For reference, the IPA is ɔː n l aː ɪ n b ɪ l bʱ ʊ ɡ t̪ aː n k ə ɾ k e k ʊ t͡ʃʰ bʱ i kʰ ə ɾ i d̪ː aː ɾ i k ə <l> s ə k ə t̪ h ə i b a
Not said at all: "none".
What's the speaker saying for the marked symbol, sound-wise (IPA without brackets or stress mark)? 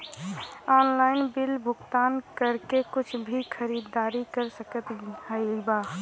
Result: ɾ